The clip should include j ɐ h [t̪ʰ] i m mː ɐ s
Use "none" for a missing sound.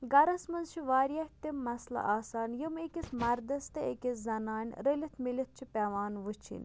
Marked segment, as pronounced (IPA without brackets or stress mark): t̪